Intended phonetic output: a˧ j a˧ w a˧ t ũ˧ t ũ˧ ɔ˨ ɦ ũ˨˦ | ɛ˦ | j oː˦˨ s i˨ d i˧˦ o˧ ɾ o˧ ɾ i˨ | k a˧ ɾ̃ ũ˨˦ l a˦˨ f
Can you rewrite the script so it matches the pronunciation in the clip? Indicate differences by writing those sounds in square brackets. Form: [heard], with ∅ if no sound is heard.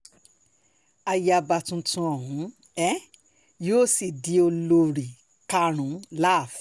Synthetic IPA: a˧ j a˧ [b] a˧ t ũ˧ t ũ˧ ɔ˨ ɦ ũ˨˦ | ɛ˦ | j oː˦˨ s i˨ d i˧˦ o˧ [l] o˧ ɾ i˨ | k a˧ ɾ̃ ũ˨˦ l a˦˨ f